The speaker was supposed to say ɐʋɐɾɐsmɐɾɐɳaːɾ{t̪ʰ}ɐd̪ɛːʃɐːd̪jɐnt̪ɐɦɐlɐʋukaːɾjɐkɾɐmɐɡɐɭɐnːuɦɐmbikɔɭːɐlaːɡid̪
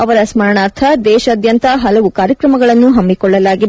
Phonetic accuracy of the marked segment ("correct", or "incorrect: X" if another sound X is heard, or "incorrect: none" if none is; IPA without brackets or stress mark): correct